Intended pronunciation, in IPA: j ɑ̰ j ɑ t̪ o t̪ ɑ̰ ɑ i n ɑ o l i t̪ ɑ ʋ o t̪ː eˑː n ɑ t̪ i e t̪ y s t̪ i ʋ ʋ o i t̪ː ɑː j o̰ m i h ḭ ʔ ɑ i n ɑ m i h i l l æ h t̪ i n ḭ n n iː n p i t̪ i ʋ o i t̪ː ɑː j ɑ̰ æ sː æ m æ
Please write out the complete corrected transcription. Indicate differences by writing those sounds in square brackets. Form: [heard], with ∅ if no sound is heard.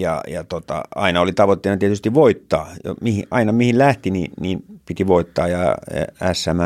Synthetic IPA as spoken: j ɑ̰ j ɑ t̪ o t̪ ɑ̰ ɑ i n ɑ o l i t̪ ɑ ʋ o t̪ː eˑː n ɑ t̪ i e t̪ y s t̪ i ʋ ʋ o i t̪ː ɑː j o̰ m i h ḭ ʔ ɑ i n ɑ m i h i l l æ h t̪ i n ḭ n n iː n p i t̪ i ʋ o i t̪ː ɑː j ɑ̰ æ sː æ m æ